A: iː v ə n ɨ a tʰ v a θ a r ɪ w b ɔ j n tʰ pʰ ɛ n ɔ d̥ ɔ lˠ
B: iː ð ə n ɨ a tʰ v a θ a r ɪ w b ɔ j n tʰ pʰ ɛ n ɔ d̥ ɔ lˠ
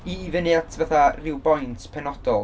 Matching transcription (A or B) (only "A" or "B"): A